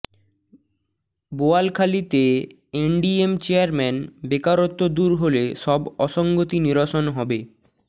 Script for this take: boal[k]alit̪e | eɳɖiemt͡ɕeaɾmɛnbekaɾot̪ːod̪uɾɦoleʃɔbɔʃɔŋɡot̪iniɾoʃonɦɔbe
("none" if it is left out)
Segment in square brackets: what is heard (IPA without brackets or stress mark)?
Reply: kʰ